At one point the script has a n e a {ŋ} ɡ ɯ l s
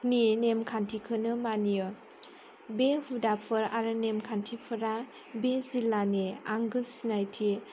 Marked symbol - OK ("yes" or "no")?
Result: yes